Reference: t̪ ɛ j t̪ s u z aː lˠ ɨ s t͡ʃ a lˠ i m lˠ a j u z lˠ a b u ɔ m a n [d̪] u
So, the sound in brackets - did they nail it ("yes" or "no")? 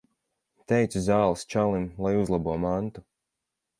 no